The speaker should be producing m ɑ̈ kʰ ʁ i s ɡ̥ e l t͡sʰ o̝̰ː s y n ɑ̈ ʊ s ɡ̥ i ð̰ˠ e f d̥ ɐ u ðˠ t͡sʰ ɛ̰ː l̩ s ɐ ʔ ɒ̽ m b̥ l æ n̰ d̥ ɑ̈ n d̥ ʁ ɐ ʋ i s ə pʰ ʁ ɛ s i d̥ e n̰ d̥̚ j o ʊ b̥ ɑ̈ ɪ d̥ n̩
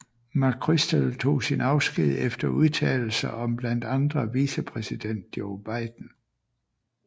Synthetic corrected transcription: m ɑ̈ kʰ ʁ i s d̥ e l t͡sʰ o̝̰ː s i n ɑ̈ ʊ s ɡ̥ i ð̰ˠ e f d̥ ɐ u ðˠ t͡sʰ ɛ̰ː l̩ s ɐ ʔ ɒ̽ m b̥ l æ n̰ d̥ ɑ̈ n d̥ ʁ ɐ ʋ i s ə pʰ ʁ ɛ s i d̥ e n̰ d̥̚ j o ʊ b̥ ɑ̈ ɪ d̥ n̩